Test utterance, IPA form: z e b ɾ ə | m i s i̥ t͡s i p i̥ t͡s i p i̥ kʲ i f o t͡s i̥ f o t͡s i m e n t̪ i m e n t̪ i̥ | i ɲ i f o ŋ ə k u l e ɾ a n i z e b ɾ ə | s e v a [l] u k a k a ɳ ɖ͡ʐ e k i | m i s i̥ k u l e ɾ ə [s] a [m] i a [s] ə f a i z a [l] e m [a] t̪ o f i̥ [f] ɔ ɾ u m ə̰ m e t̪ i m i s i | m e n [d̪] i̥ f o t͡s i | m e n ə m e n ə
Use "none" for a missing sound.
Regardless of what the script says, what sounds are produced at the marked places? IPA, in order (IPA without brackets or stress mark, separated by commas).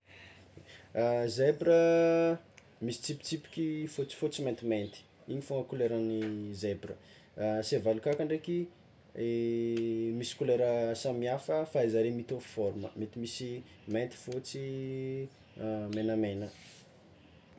l, s, m, f, ɾ, i, f, t̪